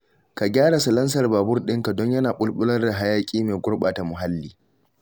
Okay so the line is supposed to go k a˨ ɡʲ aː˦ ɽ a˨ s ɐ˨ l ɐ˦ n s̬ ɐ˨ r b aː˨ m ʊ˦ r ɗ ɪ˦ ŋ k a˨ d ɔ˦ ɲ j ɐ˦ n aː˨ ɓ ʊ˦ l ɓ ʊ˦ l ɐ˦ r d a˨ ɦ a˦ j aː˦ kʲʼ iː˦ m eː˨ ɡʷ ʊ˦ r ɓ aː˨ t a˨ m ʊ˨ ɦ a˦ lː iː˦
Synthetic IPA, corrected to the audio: k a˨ ɡʲ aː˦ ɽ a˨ s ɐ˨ l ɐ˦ n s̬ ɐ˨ r b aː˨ b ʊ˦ r ɗ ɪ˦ ŋ k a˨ d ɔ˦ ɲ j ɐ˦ n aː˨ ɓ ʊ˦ l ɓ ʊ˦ l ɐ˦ r d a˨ ɦ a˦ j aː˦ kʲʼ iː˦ m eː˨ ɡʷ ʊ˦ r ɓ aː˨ t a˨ m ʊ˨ ɦ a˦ lː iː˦